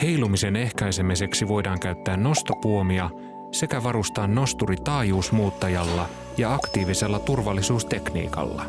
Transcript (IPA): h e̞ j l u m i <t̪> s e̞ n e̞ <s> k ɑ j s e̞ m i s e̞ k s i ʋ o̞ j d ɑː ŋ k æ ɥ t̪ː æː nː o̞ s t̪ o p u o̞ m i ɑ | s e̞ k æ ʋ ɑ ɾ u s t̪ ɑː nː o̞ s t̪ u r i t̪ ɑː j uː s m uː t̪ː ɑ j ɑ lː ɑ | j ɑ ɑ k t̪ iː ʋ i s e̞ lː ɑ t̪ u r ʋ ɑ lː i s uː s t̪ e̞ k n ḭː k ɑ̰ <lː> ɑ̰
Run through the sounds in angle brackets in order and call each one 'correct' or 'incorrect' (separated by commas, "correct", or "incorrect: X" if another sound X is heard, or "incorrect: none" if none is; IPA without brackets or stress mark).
incorrect: none, incorrect: h, correct